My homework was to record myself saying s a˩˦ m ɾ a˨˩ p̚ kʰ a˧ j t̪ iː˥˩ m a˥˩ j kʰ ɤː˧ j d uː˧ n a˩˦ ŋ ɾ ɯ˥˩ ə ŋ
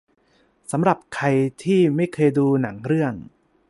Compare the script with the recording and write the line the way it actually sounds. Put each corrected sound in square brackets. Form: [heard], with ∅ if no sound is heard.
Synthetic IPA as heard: s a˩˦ m ɾ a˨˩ p̚ kʰ a˧ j [t̪ʰ] iː˥˩ m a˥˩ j kʰ ɤː˧ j d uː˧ n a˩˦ ŋ ɾ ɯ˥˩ ə ŋ